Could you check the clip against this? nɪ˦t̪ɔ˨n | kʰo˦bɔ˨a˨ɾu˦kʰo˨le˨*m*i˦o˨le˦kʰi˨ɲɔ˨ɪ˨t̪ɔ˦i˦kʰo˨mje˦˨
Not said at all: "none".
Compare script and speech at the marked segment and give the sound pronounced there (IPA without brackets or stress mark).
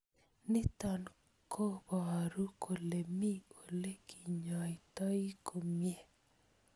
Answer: m